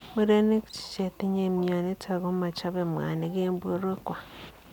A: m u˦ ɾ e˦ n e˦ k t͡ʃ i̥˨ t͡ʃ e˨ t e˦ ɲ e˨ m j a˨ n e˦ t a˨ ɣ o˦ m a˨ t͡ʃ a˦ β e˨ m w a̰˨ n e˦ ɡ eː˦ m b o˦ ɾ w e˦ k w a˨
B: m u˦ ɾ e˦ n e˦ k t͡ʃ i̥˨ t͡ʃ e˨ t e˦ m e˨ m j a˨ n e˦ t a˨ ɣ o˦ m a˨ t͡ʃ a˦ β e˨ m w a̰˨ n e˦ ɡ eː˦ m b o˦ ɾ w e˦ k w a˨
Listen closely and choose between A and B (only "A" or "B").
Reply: A